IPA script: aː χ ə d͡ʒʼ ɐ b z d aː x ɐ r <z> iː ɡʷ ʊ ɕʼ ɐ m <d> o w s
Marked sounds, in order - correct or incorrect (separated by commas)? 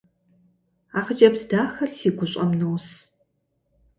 incorrect, incorrect